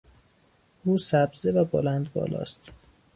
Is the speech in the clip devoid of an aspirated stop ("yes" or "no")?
yes